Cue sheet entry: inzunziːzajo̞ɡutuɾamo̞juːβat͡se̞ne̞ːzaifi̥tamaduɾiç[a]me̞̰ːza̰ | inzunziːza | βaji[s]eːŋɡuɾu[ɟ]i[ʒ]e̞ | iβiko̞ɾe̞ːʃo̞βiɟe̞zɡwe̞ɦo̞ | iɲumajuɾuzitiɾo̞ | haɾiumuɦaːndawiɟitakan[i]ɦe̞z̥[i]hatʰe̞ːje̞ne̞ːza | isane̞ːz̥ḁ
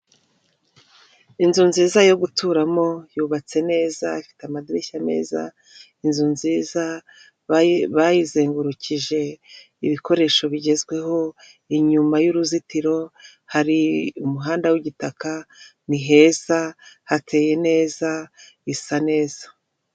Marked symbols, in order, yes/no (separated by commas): yes, no, no, yes, yes, no